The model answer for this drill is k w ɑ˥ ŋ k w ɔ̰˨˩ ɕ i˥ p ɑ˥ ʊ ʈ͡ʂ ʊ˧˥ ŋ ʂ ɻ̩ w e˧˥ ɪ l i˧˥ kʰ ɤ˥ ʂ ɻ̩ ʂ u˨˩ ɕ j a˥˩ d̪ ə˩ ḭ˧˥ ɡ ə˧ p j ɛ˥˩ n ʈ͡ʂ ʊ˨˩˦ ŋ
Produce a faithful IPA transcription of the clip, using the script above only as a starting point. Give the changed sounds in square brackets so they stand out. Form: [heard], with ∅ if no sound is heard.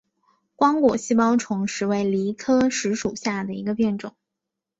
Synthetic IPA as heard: k w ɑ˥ ŋ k w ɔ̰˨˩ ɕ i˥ p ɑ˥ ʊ [ʈ͡ʂʰ] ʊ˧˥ ŋ ʂ ɻ̩ w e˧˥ ɪ l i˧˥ kʰ ɤ˥ ʂ ɻ̩ ʂ u˨˩ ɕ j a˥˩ d̪ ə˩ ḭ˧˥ ɡ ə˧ p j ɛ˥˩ n ʈ͡ʂ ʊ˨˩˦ ŋ

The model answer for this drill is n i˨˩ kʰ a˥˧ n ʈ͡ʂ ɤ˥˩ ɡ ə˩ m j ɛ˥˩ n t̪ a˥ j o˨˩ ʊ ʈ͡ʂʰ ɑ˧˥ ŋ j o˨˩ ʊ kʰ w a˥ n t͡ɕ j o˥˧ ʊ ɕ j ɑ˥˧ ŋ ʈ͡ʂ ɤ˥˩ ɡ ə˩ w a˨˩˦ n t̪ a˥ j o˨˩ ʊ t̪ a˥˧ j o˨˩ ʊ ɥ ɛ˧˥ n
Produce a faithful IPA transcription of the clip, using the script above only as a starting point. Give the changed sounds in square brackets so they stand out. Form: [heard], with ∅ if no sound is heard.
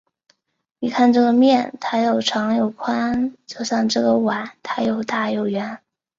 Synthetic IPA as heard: n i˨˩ kʰ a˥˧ n ʈ͡ʂ ɤ˥˩ ɡ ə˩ m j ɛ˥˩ n [t̪ʰ] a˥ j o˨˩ ʊ ʈ͡ʂʰ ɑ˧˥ ŋ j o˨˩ ʊ kʰ w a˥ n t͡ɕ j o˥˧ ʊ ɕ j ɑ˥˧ ŋ ʈ͡ʂ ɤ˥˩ ɡ ə˩ w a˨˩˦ n [t̪ʰ] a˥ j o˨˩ ʊ t̪ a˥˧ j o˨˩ ʊ ɥ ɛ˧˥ n

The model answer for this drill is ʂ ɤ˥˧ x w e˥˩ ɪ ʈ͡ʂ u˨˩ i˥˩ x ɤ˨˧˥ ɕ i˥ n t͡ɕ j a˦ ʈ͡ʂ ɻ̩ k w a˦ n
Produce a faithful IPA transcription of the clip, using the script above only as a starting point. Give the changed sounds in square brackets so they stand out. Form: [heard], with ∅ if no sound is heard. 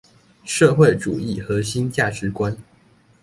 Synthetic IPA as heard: ʂ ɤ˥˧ x w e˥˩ ɪ ʈ͡ʂ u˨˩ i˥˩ x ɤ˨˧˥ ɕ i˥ n t͡ɕ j [a˥˩] ʈ͡ʂ ɻ̩ k w a˦ n

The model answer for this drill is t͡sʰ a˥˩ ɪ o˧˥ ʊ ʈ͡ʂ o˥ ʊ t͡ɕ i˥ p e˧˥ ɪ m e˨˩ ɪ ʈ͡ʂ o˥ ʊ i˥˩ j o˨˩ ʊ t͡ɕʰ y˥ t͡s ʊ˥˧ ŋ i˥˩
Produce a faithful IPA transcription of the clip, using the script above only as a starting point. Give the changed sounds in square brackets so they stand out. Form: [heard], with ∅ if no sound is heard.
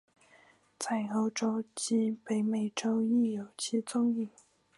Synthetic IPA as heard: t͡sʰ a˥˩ ɪ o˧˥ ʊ ʈ͡ʂ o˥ ʊ t͡ɕ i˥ p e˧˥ ɪ m e˨˩ ɪ ʈ͡ʂ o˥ ʊ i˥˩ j o˨˩ ʊ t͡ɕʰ [i˥] t͡s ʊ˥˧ ŋ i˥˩

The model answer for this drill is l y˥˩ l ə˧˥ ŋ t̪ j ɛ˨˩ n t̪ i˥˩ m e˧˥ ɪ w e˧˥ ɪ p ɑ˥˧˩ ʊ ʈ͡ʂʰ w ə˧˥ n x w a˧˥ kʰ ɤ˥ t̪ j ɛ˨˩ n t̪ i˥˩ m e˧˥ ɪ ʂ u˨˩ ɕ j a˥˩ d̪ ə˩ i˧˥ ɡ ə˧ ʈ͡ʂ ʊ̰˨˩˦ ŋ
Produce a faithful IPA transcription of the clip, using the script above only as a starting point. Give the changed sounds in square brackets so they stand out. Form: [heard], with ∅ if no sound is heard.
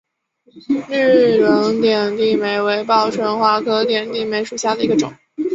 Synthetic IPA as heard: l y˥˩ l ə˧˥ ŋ t̪ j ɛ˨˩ n t̪ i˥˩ m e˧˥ ɪ w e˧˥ ɪ p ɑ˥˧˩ ʊ ʈ͡ʂʰ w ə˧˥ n x w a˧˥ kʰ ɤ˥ t̪ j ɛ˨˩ n t̪ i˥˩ m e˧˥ ɪ ʂ u˨˩ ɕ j a˥˩ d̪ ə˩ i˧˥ ɡ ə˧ ʈ͡ʂ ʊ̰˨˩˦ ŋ

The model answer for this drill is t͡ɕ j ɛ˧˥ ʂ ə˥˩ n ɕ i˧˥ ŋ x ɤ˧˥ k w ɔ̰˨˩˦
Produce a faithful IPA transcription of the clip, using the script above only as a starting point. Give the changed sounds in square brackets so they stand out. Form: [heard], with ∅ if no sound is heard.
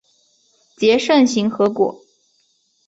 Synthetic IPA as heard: t͡ɕ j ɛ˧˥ ʂ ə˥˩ n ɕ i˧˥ ŋ x ɤ˧˥ k w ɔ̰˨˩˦

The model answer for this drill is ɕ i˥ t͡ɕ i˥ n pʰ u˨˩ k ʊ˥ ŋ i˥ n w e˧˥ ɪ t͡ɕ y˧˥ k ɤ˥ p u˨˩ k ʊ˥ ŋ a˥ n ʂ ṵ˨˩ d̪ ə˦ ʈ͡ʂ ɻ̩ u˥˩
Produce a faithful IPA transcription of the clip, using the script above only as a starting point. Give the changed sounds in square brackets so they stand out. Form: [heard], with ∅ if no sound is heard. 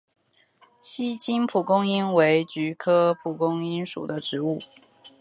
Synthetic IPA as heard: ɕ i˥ t͡ɕ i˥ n pʰ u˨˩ k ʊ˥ ŋ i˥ n w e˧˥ ɪ t͡ɕ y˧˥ [kʰ] ɤ˥ [pʰ] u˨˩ k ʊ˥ ŋ [i˥] n ʂ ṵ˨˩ d̪ ə˦ ʈ͡ʂ ɻ̩ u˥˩

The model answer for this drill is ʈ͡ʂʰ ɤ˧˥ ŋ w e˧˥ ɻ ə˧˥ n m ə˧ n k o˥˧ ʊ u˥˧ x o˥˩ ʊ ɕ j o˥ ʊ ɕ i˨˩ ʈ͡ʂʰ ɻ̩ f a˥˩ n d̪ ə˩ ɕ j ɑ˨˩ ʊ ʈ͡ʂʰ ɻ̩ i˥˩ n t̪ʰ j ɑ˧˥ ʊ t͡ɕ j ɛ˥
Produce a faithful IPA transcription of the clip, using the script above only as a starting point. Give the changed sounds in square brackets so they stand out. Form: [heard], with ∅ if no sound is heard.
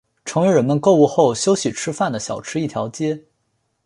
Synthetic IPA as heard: ʈ͡ʂʰ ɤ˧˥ ŋ w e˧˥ ɻ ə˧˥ n m ə˧ n k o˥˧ ʊ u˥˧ x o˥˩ ʊ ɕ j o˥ ʊ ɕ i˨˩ ʈ͡ʂʰ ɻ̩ f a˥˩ n d̪ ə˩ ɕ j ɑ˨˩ ʊ ʈ͡ʂʰ ɻ̩ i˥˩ [∅] t̪ʰ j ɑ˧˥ ʊ t͡ɕ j ɛ˥

